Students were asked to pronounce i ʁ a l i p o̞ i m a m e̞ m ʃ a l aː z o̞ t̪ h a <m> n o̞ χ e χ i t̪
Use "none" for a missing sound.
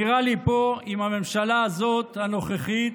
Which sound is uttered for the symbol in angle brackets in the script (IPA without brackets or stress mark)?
none